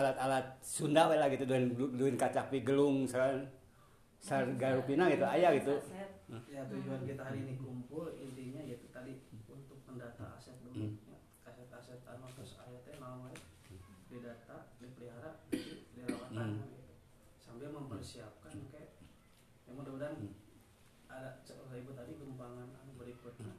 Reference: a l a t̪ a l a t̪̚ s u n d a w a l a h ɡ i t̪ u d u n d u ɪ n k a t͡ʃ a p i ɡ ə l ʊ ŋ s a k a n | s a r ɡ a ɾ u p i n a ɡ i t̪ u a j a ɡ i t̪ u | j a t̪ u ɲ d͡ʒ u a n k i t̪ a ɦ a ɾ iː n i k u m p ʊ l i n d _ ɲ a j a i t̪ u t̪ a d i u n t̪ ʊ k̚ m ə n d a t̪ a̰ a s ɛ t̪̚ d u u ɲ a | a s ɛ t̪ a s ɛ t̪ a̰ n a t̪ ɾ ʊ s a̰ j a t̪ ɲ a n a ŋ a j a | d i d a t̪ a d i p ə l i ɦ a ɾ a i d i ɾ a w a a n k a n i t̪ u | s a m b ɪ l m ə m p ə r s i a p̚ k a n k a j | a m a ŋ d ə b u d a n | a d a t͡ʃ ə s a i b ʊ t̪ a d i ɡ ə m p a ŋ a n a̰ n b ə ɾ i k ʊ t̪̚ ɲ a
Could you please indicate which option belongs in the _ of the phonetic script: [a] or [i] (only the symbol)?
i